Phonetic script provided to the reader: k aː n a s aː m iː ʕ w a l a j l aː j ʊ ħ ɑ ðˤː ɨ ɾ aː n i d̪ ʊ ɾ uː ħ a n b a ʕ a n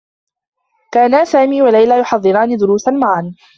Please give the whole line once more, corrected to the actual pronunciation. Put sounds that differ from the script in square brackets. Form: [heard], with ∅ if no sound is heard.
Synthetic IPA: k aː n a s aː m iː [∅] w a l a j l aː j ʊ ħ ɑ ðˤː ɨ ɾ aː n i d̪ ʊ ɾ uː [s] a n [m] a ʕ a n